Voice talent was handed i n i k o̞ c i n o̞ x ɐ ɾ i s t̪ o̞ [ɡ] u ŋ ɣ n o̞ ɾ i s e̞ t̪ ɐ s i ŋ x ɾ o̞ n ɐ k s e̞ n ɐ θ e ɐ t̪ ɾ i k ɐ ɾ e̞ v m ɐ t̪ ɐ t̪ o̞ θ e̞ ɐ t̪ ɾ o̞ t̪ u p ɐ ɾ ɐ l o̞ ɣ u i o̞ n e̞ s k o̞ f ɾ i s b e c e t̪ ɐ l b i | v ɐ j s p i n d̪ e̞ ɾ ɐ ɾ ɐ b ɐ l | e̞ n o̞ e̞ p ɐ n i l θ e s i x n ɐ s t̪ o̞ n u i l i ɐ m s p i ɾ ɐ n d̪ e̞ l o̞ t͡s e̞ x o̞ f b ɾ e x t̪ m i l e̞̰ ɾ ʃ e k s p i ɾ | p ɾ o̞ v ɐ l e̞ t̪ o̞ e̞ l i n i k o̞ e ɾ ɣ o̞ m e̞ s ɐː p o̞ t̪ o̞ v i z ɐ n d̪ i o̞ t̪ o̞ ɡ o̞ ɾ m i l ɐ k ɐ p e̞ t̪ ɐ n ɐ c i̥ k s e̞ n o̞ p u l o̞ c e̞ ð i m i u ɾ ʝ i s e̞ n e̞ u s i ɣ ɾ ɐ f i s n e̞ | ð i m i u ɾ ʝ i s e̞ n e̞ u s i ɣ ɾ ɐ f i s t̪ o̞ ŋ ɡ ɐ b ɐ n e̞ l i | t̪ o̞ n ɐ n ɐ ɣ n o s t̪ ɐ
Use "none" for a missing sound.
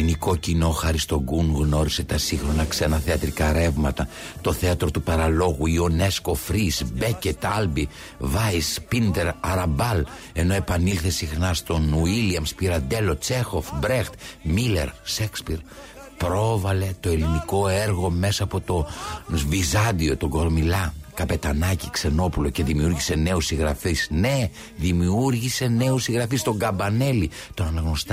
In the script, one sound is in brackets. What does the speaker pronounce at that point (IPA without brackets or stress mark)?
ɡ